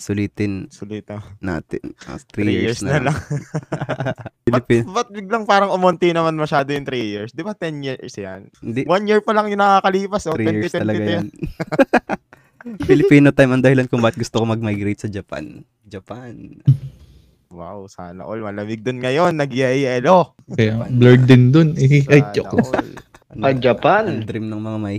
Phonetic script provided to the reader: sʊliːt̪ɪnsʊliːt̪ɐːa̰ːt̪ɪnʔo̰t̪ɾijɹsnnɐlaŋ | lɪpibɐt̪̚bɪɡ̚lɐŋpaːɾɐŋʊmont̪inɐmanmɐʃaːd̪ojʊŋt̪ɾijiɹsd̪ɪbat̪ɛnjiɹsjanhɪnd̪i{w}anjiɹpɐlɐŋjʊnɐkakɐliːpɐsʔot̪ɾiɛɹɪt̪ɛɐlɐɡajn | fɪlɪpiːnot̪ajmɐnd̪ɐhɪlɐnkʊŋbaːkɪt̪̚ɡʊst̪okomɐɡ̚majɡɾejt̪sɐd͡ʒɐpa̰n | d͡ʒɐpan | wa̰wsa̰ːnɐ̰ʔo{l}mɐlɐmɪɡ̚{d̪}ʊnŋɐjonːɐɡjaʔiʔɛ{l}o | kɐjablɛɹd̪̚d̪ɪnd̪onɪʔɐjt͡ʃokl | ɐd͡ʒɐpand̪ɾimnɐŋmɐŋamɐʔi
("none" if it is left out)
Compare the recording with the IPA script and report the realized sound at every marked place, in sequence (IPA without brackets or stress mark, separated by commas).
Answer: w, l, d̪, l